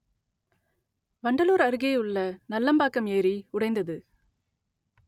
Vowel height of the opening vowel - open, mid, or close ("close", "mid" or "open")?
open